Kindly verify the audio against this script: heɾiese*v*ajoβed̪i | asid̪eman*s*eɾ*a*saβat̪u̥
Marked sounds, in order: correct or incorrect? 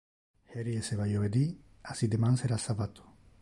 incorrect, correct, correct

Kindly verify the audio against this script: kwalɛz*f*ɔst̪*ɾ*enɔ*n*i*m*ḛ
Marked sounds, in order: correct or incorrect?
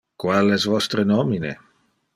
incorrect, correct, incorrect, incorrect

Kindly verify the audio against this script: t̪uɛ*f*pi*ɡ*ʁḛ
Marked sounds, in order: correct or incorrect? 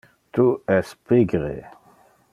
incorrect, correct

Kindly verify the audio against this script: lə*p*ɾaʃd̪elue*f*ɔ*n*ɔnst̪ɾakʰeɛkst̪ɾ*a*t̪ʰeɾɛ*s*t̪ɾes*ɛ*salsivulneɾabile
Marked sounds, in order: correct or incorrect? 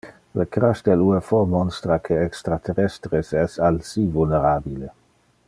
incorrect, correct, incorrect, correct, correct, correct

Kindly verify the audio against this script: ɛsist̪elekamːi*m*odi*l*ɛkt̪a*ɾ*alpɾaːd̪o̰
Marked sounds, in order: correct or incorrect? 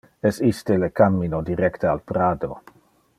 incorrect, incorrect, incorrect

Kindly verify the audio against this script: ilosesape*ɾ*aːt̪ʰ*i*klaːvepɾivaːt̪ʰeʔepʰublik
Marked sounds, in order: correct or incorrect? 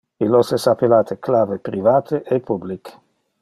incorrect, incorrect

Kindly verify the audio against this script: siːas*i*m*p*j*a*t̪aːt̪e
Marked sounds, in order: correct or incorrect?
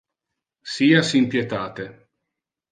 correct, correct, incorrect

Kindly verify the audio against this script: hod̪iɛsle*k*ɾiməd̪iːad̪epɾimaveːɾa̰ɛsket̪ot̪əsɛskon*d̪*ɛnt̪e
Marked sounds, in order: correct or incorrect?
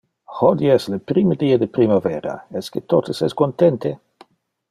incorrect, incorrect

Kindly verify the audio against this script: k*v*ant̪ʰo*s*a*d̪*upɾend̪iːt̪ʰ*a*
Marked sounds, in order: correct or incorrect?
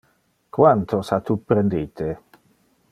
incorrect, correct, incorrect, incorrect

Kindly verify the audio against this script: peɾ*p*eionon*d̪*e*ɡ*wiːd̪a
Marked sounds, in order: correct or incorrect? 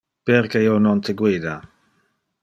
incorrect, incorrect, correct

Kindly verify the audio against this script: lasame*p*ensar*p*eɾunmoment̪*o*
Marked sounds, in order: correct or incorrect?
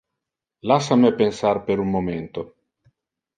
correct, correct, correct

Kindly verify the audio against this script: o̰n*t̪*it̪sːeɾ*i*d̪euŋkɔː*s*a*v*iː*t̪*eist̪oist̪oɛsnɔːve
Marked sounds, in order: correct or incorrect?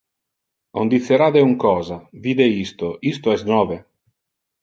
incorrect, incorrect, incorrect, correct, incorrect

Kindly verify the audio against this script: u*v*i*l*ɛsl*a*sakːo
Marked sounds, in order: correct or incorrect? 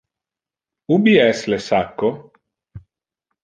incorrect, incorrect, incorrect

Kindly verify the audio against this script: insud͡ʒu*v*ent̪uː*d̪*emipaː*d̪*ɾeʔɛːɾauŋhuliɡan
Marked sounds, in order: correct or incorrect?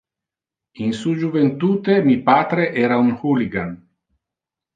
correct, incorrect, incorrect

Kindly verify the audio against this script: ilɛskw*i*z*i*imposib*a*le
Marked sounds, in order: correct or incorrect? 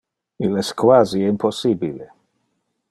incorrect, correct, incorrect

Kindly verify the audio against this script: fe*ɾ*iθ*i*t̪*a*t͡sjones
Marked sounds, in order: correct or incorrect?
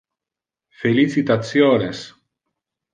incorrect, correct, correct

